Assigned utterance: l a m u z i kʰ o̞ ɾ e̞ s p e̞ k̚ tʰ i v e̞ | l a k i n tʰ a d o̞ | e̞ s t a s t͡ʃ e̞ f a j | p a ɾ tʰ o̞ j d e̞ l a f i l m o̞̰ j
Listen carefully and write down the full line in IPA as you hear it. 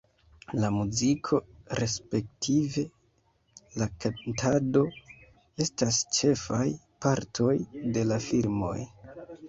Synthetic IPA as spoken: l a m u z i kʰ o̞ ɾ e̞ s p e̞ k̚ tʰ i v e̞ | l a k a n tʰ a d o̞ | e̞ s t a s t͡ʃ e̞ f a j | p a ɾ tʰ o̞ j d e̞ l a f i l m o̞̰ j